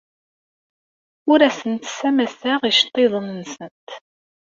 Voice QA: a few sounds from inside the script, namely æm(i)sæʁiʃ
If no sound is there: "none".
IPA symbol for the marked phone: æ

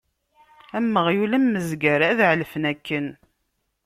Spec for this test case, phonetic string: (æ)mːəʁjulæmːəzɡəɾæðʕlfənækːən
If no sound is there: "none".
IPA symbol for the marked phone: æ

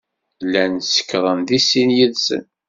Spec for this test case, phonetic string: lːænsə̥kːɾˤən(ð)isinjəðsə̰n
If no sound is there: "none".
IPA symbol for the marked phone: ð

